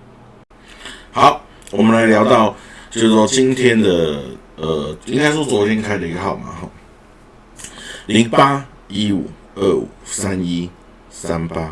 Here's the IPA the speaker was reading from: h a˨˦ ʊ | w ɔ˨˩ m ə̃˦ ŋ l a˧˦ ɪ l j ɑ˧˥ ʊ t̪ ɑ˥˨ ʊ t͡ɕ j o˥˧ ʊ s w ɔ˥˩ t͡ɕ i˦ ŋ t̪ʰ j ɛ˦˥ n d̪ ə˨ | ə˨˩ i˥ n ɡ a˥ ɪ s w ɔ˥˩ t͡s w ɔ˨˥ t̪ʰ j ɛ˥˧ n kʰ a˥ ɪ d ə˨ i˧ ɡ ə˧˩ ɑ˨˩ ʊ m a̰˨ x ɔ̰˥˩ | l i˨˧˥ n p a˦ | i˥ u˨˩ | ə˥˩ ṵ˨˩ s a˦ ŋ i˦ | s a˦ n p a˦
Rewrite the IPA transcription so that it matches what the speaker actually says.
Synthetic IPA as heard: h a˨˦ ʊ | w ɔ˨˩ m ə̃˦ n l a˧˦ ɪ l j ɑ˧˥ ʊ t̪ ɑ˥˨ ʊ t͡ɕ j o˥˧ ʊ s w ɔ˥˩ t͡ɕ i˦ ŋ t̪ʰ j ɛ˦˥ n d̪ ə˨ | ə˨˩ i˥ ŋ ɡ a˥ ɪ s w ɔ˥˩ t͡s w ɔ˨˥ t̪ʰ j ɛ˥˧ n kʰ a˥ ɪ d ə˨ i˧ ɡ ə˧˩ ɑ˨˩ ʊ m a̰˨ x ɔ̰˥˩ | l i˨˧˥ ŋ p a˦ | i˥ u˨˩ | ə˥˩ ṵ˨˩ s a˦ n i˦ | s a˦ n p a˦